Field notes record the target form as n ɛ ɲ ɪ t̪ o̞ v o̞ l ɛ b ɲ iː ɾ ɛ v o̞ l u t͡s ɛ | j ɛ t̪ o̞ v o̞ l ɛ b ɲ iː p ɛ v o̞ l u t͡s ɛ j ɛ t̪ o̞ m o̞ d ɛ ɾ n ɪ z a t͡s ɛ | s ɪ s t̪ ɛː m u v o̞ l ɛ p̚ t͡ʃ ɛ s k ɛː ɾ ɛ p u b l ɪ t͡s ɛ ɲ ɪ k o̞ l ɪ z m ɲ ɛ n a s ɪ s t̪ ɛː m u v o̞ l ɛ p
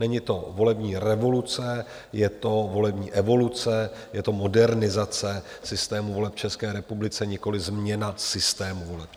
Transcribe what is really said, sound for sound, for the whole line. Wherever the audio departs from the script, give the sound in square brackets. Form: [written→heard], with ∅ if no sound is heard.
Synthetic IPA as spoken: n ɛ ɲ ɪ t̪ o̞ v o̞ l ɛ b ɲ iː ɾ ɛ v o̞ l u t͡s ɛ | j ɛ t̪ o̞ v o̞ l ɛ b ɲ iː [p→ʔ] ɛ v o̞ l u t͡s ɛ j ɛ t̪ o̞ m o̞ d ɛ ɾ n ɪ z a t͡s ɛ | s ɪ s t̪ ɛː m u v o̞ l ɛ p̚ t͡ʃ ɛ s k ɛː ɾ ɛ p u b l ɪ t͡s ɛ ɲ ɪ k o̞ l ɪ z m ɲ ɛ n a s ɪ s t̪ ɛː m u v o̞ l ɛ p

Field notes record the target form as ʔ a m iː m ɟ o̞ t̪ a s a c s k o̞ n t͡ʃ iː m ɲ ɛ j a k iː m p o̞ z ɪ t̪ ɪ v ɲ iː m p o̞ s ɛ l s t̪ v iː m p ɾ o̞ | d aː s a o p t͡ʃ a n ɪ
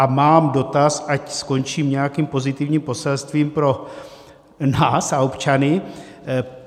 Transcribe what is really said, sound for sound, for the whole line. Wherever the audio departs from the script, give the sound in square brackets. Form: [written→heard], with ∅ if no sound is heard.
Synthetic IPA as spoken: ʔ a m [iː→aː] m [ɟ→d] o̞ t̪ a s a c s k o̞ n t͡ʃ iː m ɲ ɛ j a k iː m p o̞ z ɪ t̪ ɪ v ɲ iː m p o̞ s ɛ l s t̪ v iː m p ɾ o̞ | [d→n] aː s a o p t͡ʃ a n ɪ

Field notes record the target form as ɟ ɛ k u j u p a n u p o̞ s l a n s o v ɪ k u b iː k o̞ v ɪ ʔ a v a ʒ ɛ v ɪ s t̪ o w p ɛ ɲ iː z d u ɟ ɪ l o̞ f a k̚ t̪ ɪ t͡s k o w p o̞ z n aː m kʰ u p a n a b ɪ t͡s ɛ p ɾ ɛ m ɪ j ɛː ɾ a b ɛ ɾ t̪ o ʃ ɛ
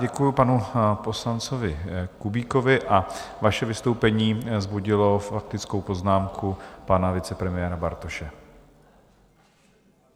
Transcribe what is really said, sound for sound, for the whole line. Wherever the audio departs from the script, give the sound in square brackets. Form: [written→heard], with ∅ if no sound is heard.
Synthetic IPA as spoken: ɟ ɛ k u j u p a n u p o̞ s l a n [s→t͡s] o v ɪ k u b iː k o̞ v ɪ ʔ a v a [ʒ→ʃ] ɛ v ɪ s t̪ o w p ɛ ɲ iː z [d→b] u ɟ ɪ l o̞ f a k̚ t̪ ɪ t͡s k o w p o̞ z n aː m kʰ u p a n a [b→v] ɪ t͡s ɛ p ɾ ɛ m ɪ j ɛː ɾ a b [ɛ→a] ɾ t̪ o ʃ ɛ

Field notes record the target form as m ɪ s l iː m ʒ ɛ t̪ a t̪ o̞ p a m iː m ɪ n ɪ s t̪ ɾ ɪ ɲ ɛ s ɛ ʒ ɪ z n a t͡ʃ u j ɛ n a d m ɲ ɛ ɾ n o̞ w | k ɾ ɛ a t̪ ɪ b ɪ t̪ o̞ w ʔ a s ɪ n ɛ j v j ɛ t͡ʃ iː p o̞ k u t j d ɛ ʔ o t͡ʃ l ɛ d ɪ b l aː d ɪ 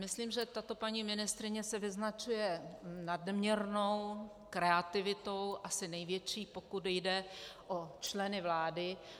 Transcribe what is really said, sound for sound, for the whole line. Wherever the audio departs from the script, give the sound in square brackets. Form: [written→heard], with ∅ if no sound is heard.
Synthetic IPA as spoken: m ɪ s l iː m ʒ ɛ t̪ a t̪ o̞ p a [m→ɲ] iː m ɪ n ɪ s t̪ ɾ ɪ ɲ ɛ s ɛ [ʒ→v] ɪ z n a t͡ʃ u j ɛ n a d m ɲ ɛ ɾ n o̞ w | k ɾ ɛ a t̪ ɪ [b→v] ɪ t̪ o̞ w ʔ a s ɪ n ɛ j v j ɛ t͡ʃ iː p o̞ k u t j d ɛ ʔ o t͡ʃ l ɛ [d→n] ɪ [b→v] l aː d ɪ

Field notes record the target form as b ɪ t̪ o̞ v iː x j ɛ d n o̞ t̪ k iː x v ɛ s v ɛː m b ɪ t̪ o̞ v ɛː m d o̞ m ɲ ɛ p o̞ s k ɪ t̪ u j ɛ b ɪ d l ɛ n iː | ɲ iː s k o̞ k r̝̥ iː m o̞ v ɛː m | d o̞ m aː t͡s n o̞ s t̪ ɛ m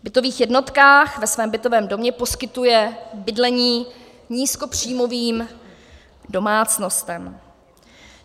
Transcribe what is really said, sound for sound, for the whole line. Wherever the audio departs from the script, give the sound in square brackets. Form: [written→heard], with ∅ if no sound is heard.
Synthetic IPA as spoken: b ɪ t̪ o̞ v iː x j ɛ d n o̞ t̪ k [iː→aː] x v ɛ s v ɛː m b ɪ t̪ o̞ v ɛː m d o̞ m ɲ ɛ p o̞ s k ɪ t̪ u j ɛ b ɪ d l ɛ [n→ɲ] iː | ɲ iː s k o̞ [k→p] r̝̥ iː m o̞ v [ɛː→iː] m | d o̞ m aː t͡s n o̞ s t̪ ɛ m

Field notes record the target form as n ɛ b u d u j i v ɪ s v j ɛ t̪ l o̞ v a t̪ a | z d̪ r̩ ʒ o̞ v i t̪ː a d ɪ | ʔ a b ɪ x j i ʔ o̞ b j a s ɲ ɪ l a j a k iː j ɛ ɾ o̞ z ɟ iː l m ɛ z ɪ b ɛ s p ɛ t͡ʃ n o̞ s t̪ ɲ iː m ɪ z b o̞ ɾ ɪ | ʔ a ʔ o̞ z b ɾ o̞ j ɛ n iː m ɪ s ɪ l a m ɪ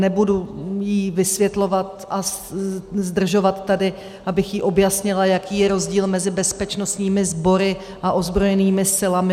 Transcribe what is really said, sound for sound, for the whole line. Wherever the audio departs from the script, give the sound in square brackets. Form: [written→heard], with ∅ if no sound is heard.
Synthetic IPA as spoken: n ɛ b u d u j i v ɪ s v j ɛ t̪ l o̞ v a t̪ a | z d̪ r̩ ʒ o̞ v [i→a] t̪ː a d ɪ | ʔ a b ɪ x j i ʔ o̞ b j a s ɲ ɪ l a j a k iː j ɛ ɾ o̞ z ɟ iː l m ɛ z ɪ b ɛ s p ɛ t͡ʃ n o̞ s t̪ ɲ iː m ɪ z b o̞ ɾ ɪ | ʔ a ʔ o̞ z b ɾ o̞ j ɛ n iː m ɪ s ɪ l a m ɪ

